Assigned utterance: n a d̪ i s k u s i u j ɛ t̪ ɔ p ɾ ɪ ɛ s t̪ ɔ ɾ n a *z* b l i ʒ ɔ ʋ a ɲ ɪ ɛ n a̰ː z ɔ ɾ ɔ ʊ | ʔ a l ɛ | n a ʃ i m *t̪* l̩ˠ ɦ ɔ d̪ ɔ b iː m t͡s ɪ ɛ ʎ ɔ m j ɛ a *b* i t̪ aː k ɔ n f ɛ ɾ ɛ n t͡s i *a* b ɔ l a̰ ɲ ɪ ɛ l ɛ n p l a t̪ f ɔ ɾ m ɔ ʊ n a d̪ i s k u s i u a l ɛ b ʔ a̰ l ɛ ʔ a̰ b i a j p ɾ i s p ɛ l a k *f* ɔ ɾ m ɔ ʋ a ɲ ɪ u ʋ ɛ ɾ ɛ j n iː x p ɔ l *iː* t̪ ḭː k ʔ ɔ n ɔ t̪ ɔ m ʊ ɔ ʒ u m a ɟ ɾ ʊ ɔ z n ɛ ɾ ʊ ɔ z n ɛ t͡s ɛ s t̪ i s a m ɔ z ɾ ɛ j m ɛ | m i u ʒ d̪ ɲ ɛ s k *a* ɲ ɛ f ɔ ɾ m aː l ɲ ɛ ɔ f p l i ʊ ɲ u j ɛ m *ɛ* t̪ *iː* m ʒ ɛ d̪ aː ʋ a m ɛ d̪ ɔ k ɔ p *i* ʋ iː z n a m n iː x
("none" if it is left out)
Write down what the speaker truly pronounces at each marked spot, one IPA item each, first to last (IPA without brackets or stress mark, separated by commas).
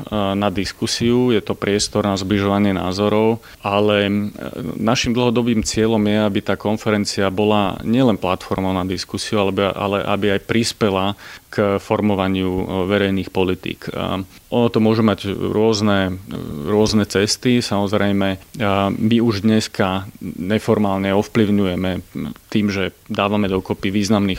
z, d̪, b, a, f, i, a, ɛ, iː, i